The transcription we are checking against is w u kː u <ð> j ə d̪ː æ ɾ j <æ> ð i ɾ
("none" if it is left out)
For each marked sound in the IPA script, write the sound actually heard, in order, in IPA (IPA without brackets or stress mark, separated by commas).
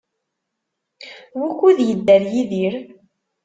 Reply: ð, i